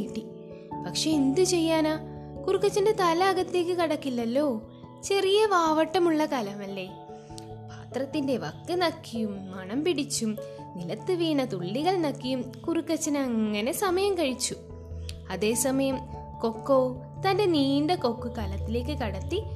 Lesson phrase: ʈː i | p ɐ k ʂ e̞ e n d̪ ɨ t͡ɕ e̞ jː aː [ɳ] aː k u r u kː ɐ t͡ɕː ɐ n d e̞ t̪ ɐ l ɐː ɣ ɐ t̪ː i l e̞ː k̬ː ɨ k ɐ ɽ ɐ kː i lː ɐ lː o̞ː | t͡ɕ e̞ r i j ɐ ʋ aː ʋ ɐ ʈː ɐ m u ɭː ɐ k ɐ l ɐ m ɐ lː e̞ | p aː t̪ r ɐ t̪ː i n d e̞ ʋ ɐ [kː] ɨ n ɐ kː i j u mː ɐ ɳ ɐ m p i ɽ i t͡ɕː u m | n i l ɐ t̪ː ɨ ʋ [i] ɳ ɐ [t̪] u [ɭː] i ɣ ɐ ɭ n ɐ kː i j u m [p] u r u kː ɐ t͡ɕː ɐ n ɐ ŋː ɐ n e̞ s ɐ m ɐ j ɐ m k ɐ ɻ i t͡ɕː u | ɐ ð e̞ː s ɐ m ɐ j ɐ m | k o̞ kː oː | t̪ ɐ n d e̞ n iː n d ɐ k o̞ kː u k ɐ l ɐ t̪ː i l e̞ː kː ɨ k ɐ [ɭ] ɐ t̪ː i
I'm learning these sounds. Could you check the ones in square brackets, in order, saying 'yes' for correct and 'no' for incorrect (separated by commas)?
no, yes, no, yes, yes, no, no